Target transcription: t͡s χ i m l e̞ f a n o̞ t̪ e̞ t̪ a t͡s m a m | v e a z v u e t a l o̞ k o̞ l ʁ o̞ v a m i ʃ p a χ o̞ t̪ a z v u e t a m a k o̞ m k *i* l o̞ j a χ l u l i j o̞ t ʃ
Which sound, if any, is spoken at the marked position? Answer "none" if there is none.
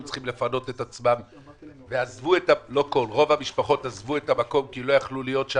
i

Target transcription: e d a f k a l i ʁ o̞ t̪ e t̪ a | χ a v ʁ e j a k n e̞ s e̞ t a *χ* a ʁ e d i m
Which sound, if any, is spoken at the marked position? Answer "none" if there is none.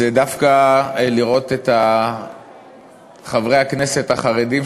χ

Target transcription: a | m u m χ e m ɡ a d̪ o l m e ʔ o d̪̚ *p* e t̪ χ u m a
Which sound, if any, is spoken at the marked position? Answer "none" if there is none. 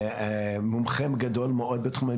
b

